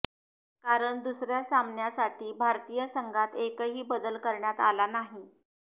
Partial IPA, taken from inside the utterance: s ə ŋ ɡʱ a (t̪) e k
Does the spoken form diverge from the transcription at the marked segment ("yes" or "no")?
no